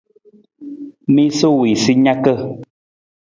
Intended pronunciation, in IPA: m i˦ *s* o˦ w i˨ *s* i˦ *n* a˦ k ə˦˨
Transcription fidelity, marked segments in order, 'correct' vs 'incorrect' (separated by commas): correct, correct, incorrect